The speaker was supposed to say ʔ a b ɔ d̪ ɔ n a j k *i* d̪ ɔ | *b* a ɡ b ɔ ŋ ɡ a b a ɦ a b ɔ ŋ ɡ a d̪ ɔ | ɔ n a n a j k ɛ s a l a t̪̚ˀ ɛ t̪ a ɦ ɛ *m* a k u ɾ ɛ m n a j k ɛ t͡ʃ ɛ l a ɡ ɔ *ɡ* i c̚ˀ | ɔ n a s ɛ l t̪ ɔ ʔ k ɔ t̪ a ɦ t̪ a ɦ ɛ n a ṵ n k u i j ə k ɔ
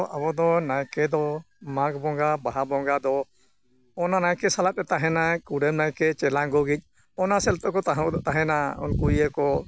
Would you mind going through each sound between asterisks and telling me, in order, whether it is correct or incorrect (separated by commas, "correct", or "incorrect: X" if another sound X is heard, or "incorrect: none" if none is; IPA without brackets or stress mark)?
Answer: incorrect: ɛ, incorrect: m, incorrect: n, correct